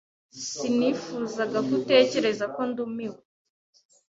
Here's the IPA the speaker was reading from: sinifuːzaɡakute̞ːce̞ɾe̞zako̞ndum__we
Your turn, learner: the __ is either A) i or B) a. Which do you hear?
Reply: A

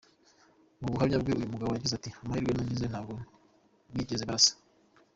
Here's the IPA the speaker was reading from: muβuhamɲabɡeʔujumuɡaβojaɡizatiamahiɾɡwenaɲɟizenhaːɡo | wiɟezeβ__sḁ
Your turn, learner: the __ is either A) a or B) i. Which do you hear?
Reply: A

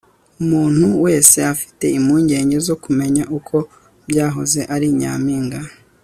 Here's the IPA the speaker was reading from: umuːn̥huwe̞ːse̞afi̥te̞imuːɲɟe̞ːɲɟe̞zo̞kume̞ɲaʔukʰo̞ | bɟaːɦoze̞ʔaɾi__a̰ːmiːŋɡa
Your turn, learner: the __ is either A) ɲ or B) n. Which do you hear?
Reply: A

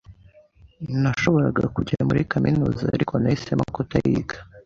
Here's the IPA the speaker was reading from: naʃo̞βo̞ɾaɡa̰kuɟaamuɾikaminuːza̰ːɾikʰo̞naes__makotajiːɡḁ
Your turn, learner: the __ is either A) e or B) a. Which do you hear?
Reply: A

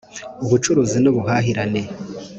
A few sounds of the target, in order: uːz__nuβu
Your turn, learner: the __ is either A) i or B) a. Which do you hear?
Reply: A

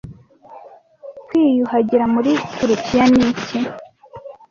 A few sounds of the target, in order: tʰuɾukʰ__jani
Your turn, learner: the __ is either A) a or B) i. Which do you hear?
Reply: B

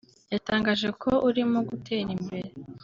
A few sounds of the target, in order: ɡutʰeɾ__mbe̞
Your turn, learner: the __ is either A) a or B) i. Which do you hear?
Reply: B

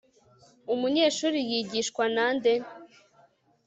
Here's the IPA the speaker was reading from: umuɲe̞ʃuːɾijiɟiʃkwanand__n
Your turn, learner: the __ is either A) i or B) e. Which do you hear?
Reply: B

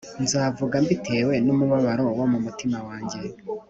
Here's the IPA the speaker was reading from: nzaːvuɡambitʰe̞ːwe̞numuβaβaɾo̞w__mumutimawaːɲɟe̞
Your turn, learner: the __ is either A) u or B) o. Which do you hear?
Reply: B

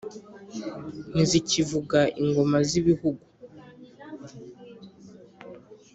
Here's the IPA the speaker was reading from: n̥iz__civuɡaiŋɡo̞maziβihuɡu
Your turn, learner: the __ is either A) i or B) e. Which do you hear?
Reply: A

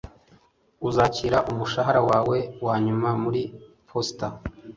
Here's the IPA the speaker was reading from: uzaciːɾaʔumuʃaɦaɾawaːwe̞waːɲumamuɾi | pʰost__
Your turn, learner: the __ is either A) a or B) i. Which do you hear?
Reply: A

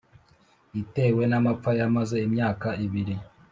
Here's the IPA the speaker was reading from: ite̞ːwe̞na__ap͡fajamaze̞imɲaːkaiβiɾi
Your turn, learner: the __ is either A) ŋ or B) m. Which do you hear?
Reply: B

